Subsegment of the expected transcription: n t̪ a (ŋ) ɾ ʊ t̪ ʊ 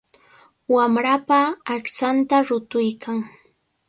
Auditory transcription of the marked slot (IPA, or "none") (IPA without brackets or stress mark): none